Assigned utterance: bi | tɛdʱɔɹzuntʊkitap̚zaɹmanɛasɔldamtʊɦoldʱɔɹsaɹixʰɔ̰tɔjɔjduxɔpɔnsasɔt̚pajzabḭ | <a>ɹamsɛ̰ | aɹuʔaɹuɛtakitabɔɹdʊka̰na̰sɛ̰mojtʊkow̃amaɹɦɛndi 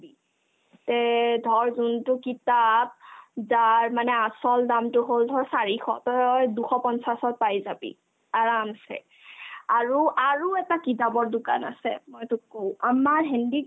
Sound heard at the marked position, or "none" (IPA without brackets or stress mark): a